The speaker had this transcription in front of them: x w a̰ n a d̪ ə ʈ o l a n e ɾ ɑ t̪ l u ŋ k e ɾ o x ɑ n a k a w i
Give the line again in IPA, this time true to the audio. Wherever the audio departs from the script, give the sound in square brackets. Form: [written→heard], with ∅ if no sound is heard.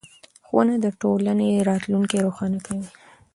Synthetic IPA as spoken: x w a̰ n a d̪ ə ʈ o l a n e ɾ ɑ t̪ l u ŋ k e ɾ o x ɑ n a k a w i